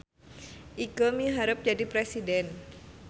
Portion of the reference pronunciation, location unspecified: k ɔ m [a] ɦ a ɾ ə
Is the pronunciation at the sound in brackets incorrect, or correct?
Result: incorrect